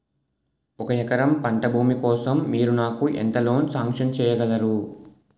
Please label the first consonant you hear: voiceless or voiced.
voiceless